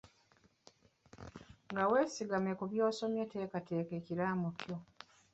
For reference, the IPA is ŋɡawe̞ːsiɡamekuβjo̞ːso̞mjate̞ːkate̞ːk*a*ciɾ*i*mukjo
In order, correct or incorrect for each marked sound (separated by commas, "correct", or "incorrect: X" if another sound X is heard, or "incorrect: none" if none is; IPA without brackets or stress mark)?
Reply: incorrect: e, incorrect: a